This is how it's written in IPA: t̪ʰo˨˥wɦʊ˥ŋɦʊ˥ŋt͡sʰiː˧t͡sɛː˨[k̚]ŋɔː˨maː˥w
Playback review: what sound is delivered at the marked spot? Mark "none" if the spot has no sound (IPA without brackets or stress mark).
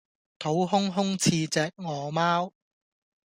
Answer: k̚